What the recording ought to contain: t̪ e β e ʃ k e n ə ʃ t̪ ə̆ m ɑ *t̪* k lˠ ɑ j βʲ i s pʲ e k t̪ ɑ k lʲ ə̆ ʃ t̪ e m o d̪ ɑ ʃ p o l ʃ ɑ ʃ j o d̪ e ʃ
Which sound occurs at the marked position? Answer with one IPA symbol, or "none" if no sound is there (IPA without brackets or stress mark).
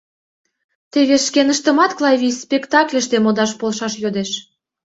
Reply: t̪